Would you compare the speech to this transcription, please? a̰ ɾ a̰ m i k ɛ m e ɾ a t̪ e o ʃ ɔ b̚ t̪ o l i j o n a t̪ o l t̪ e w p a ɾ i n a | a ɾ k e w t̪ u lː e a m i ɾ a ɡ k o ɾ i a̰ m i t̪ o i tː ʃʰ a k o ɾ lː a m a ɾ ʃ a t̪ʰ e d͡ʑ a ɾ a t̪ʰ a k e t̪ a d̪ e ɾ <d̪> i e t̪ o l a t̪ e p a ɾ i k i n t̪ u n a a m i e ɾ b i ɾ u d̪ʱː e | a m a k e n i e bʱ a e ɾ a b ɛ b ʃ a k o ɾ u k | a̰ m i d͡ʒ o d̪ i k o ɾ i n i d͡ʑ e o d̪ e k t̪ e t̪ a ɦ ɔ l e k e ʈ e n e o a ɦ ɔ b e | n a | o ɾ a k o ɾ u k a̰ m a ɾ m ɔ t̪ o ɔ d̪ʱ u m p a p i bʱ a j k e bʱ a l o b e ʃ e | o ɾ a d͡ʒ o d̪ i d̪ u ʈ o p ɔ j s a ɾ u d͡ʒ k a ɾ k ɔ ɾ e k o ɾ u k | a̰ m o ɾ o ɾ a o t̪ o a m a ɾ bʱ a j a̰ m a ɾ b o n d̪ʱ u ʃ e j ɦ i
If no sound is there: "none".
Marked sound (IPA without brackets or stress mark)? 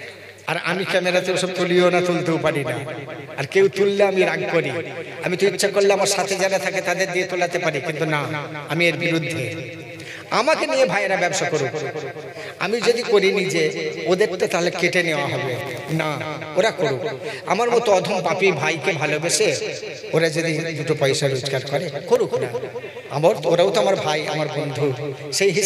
d̪